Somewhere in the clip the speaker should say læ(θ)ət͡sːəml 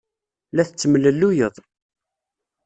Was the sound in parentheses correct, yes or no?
yes